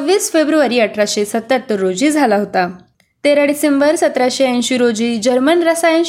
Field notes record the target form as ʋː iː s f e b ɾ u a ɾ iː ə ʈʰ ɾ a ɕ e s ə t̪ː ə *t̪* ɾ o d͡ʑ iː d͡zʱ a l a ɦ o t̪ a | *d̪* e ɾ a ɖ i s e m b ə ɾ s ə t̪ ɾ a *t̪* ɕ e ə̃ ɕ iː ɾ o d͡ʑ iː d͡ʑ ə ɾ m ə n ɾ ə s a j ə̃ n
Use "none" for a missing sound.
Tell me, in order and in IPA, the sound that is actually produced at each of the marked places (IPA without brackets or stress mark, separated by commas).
t̪, t̪, none